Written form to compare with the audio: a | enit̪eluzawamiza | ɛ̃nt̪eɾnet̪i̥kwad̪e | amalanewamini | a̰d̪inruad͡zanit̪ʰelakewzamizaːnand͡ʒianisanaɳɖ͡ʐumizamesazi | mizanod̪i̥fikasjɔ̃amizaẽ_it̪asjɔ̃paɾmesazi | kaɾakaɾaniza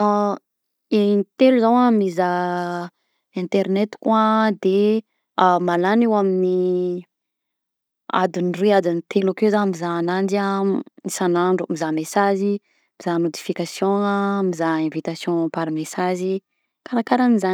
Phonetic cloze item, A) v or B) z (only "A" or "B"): A